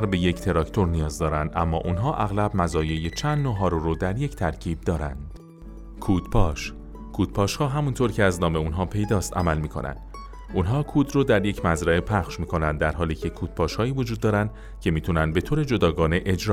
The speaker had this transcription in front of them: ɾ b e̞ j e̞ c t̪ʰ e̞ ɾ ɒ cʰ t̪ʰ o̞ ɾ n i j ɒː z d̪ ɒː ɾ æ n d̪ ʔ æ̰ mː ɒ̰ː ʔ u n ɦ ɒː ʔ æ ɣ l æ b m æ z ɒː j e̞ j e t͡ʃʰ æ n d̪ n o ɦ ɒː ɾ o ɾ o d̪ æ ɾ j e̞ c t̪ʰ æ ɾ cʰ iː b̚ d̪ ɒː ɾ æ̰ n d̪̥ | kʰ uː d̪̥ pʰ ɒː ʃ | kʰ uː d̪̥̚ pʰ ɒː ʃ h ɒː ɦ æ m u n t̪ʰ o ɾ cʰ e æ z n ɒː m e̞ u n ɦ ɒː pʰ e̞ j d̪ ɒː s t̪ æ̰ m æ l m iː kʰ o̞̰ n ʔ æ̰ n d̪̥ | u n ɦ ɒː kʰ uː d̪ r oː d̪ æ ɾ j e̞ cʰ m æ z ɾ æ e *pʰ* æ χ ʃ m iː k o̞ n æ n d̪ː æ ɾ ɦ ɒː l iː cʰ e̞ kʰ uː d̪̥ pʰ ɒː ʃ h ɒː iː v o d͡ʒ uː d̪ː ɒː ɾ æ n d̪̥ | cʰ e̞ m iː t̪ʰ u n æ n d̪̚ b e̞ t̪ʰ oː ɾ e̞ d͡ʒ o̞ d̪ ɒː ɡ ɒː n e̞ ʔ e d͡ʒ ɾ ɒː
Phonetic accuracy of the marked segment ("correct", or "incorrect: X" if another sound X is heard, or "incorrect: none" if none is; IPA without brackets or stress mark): correct